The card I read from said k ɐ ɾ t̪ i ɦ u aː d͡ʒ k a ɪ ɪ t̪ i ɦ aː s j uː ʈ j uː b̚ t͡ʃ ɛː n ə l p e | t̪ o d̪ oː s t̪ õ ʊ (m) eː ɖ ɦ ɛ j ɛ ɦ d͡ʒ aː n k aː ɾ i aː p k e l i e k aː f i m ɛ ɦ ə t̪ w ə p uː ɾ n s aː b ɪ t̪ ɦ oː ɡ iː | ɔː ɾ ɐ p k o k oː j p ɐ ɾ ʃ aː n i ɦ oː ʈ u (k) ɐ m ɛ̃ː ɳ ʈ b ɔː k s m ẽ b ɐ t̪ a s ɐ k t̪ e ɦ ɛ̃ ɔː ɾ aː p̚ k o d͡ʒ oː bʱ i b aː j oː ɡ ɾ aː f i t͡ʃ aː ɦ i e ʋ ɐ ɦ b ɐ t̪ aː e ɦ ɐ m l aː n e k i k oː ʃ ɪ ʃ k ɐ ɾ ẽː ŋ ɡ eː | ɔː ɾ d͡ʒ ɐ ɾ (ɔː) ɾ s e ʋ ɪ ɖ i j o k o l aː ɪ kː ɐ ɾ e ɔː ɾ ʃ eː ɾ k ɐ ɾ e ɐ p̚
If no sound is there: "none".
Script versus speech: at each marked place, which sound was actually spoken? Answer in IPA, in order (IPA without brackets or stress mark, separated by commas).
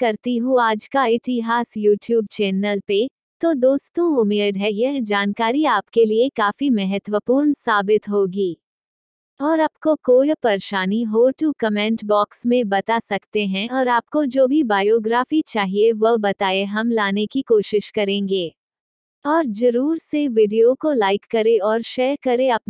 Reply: m, k, uː